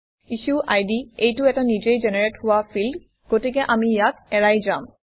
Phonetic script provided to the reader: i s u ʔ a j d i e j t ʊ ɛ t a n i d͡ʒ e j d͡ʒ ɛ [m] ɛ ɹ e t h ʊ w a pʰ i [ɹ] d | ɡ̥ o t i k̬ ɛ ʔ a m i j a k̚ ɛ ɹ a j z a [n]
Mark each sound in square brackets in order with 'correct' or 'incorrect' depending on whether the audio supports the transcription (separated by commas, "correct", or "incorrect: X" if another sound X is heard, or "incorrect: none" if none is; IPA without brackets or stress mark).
incorrect: n, incorrect: l, incorrect: m